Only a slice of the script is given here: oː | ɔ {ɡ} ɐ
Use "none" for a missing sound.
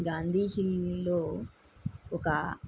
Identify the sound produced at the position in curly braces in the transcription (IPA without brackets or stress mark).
k